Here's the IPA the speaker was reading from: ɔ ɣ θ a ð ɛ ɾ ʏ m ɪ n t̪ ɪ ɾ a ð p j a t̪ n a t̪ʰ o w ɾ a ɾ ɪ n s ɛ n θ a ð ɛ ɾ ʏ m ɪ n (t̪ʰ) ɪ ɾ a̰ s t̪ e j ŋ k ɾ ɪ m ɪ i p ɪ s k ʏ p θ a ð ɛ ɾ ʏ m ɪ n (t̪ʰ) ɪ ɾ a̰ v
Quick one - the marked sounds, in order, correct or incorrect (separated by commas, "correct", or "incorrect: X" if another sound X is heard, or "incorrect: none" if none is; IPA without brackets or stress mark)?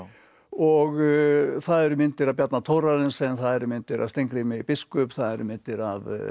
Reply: incorrect: t̪, incorrect: t̪